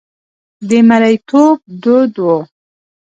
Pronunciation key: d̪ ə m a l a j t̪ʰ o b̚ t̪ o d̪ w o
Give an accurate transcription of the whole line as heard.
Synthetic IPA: d̪ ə m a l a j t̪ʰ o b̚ d̪ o d̪ w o